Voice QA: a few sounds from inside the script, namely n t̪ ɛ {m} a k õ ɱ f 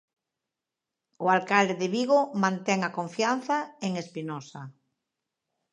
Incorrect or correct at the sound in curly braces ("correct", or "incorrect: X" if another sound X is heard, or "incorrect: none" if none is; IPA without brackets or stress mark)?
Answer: incorrect: ŋ